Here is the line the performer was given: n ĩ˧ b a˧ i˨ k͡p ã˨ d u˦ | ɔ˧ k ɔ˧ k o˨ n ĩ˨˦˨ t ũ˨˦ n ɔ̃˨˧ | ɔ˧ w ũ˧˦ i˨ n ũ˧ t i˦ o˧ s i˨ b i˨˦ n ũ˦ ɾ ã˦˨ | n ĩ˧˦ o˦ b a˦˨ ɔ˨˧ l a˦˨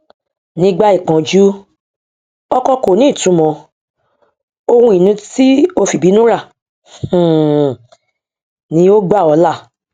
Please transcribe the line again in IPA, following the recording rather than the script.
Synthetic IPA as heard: n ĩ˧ ɡ͡b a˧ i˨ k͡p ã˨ d͡ʒ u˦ | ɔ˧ k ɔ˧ k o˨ n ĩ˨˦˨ t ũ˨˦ m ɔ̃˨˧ | o˧ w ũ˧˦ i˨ n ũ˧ t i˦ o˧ f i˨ b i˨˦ n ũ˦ ɾ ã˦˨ | n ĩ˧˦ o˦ ɡ͡b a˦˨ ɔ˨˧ l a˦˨